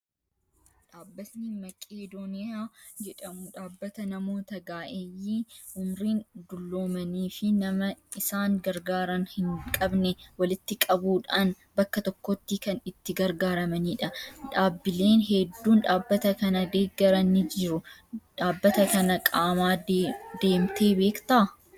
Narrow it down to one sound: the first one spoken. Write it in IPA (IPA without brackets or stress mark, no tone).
ᶑ